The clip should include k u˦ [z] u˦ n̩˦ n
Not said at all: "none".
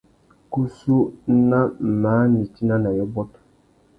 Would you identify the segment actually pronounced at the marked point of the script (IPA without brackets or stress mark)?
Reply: s